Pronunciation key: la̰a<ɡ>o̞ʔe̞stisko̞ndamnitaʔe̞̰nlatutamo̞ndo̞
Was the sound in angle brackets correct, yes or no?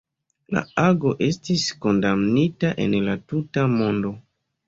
yes